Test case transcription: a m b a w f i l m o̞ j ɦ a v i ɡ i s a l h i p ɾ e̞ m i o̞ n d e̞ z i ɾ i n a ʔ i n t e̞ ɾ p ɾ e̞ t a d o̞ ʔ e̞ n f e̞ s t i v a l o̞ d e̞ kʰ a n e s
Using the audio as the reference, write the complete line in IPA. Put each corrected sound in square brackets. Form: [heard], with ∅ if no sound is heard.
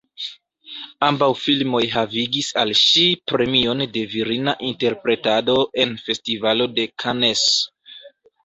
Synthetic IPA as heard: a m b a w f i l m o̞ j ɦ a v i ɡ i s a l [ʃ] i p ɾ e̞ m i o̞ n d e̞ [v] i ɾ i n a ʔ i n t e̞ ɾ p ɾ e̞ t a d o̞ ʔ e̞ n f e̞ s t i v a l o̞ d e̞ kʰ a n e s